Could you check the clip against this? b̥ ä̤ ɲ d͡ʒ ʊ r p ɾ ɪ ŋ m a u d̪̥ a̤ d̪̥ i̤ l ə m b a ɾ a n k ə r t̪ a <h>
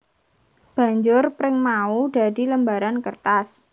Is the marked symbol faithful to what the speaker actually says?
no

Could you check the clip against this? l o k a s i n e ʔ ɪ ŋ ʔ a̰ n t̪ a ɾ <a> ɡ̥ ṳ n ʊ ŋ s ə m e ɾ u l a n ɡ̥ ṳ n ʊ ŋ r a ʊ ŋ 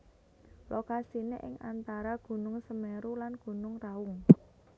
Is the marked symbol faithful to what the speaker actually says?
yes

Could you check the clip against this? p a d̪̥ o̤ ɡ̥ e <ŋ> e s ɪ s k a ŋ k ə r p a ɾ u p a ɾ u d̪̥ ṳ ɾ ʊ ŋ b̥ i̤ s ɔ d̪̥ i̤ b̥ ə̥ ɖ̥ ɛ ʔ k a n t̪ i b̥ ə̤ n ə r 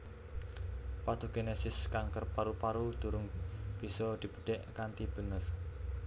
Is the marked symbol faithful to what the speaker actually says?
no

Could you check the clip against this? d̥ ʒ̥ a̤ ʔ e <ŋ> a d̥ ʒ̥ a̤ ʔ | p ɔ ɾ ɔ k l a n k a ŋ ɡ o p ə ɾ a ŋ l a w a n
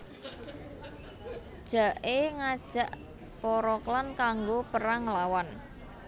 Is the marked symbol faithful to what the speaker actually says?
yes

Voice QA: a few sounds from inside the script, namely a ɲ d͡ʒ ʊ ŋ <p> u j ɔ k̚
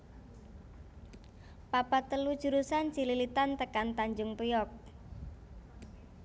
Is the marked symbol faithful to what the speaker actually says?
yes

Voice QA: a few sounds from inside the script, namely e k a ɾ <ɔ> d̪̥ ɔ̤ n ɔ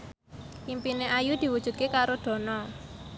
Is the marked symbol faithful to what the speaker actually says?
no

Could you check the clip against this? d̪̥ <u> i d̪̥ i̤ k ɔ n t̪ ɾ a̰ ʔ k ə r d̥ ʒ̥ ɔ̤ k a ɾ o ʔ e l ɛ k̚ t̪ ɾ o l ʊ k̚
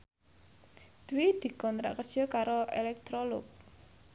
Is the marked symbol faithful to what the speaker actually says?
no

